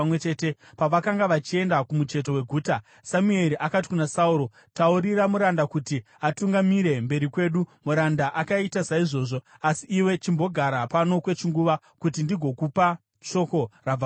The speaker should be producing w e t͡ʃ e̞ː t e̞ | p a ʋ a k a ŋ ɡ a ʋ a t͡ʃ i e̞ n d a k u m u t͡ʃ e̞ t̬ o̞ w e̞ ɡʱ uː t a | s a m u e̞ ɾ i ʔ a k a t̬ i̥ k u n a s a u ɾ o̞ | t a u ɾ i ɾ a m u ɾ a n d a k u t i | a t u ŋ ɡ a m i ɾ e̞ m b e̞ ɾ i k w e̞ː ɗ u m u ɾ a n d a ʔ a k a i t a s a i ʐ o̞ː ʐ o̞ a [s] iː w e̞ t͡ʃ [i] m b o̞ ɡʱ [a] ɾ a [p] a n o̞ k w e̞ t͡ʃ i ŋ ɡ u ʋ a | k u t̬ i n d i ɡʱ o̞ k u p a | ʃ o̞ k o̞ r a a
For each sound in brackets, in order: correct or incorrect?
correct, correct, correct, correct

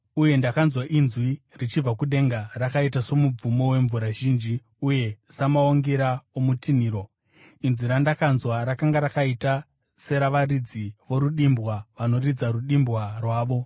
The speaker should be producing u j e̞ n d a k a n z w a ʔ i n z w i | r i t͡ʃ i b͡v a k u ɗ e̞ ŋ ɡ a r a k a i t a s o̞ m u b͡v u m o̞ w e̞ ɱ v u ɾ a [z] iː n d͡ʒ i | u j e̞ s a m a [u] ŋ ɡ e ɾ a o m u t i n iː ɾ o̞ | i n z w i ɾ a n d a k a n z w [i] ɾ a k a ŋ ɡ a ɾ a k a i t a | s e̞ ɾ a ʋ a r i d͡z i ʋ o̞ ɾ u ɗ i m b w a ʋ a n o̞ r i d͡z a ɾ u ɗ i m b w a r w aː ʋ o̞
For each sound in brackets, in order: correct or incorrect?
incorrect: ʒ, incorrect: o, incorrect: a

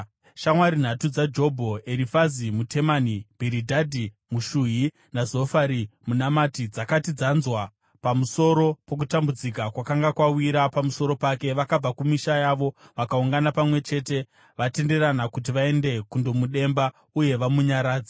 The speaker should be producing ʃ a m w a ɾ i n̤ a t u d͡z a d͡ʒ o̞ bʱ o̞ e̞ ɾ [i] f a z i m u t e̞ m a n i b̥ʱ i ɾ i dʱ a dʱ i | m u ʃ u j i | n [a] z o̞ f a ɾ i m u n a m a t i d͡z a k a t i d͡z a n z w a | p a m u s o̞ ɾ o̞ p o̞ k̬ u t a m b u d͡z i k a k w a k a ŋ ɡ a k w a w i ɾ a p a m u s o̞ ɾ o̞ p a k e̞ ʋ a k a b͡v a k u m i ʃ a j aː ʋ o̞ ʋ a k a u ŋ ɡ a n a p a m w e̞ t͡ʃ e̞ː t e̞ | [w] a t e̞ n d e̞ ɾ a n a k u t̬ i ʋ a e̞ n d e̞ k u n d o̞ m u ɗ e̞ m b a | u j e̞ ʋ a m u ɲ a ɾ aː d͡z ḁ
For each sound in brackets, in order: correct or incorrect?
correct, correct, incorrect: ʋ

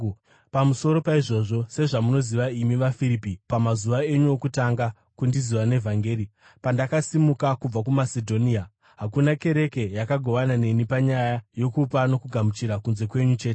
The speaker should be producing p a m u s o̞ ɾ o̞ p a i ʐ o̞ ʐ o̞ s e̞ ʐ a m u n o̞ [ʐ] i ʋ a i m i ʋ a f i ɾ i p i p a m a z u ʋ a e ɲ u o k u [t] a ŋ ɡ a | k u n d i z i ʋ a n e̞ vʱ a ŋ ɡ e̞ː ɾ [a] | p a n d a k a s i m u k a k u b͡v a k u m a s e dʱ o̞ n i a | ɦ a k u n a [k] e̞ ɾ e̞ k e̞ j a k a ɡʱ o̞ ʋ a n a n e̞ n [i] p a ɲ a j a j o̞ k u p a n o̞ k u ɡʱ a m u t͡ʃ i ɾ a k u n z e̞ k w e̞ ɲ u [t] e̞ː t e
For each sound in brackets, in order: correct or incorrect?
incorrect: z, correct, incorrect: i, correct, correct, incorrect: t͡ʃ

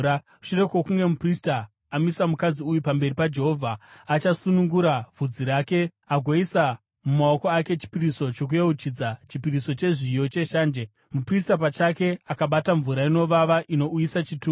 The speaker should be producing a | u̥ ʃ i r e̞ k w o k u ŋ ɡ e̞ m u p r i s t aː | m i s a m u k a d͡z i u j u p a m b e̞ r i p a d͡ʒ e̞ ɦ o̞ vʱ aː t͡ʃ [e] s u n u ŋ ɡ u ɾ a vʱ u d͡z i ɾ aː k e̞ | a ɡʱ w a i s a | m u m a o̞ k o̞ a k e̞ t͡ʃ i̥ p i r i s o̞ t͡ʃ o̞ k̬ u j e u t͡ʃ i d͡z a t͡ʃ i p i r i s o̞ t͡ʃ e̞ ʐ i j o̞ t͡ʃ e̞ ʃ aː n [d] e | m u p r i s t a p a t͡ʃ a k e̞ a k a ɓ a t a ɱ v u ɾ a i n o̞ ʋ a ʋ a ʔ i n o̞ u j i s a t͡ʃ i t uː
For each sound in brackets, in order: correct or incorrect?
incorrect: a, incorrect: d͡ʒ

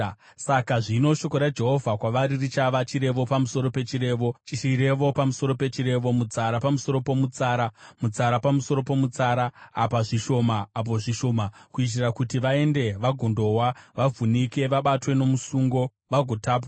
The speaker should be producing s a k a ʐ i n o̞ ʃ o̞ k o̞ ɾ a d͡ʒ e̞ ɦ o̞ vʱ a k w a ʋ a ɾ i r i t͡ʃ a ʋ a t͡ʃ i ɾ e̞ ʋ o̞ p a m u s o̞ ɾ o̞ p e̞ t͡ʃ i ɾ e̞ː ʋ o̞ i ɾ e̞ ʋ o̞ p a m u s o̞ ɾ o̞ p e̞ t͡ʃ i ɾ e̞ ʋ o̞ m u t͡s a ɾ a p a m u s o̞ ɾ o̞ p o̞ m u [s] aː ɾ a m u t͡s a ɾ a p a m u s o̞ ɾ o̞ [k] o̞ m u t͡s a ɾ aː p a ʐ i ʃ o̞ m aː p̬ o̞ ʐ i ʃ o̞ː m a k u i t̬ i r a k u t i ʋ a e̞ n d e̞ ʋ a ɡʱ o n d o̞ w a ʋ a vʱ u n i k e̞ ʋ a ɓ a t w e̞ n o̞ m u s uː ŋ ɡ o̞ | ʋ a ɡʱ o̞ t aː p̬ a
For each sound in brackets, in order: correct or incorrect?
incorrect: t͡s, incorrect: p

